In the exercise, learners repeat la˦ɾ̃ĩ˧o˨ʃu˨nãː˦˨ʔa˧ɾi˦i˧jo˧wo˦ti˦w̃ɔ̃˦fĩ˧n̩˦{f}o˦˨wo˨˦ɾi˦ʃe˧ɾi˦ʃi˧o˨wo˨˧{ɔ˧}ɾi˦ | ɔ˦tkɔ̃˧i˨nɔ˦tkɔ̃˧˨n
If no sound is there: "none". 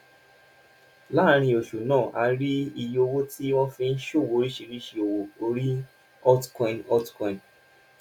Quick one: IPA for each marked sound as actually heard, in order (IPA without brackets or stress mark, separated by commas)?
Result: ʃ, o˧